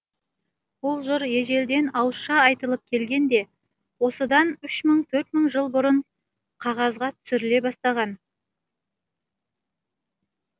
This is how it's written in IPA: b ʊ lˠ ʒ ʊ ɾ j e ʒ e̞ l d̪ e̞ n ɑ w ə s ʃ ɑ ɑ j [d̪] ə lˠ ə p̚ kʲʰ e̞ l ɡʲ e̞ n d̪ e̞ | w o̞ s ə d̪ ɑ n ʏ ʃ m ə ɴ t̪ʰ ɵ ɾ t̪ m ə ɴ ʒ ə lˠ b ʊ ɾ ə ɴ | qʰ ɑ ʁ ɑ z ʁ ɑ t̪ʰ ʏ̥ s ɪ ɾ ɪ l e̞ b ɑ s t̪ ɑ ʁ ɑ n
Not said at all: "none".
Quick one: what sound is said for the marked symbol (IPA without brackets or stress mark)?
t̪